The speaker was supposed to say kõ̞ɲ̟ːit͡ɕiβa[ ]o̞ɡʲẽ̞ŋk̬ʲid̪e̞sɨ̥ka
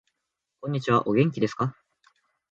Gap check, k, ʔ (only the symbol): ʔ